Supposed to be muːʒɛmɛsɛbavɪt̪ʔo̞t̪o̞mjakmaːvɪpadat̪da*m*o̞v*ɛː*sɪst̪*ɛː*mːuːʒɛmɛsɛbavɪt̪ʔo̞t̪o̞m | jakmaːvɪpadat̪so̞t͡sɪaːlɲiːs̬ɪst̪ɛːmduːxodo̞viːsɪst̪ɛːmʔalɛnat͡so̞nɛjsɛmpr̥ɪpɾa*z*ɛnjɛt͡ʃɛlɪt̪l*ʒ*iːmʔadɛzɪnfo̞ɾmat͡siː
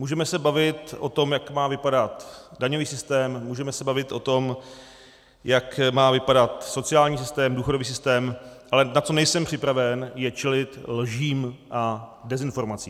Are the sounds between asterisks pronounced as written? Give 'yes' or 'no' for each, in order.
no, no, yes, no, yes

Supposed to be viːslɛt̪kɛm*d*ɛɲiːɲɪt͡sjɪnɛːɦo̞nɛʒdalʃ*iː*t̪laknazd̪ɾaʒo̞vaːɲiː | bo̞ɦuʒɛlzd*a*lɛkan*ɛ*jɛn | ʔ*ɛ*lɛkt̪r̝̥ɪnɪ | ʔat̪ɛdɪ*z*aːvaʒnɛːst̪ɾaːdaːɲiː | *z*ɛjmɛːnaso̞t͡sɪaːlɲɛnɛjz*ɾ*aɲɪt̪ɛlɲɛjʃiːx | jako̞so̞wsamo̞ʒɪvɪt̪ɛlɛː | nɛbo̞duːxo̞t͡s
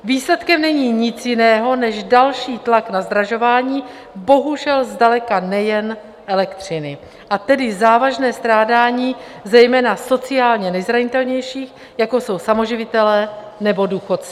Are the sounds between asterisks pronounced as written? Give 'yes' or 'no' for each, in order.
no, yes, yes, yes, yes, yes, yes, yes

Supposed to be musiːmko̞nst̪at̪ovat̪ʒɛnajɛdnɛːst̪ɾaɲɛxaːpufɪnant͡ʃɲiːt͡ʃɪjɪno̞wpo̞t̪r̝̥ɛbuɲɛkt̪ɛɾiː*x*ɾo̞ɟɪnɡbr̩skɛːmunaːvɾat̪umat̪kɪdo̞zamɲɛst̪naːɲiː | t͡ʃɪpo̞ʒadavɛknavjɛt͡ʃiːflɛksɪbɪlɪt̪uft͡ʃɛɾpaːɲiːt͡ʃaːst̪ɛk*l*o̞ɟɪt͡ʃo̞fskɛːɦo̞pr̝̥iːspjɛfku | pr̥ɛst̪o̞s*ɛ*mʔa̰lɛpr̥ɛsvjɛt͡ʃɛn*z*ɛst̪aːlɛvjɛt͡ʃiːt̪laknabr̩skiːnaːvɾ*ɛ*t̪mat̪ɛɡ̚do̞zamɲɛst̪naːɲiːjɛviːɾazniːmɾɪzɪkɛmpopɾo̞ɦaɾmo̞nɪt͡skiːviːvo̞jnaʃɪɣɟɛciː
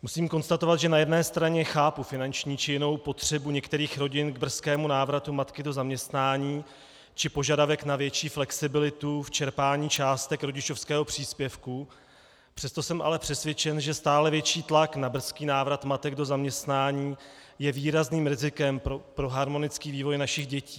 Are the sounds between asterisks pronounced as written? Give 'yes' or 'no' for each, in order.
yes, no, yes, no, no

